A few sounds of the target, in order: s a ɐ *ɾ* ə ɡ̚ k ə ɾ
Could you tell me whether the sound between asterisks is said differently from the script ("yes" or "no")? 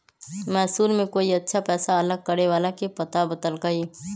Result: yes